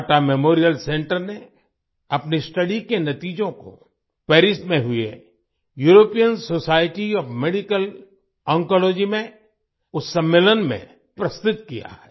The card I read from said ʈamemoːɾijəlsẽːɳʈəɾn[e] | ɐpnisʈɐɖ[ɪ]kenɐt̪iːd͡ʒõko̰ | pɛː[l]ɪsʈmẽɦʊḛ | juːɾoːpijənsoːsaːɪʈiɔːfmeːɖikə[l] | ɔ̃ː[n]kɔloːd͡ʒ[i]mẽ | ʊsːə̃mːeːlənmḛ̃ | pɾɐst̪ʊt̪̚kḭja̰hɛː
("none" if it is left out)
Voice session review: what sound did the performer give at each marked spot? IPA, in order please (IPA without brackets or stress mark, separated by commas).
e, i, ɾ, l, ŋ, i